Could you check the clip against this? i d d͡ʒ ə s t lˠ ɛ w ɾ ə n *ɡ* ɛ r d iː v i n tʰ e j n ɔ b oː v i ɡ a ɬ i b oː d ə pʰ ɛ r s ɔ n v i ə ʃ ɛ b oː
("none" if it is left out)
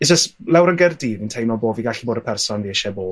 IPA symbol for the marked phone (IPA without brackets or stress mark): ɡ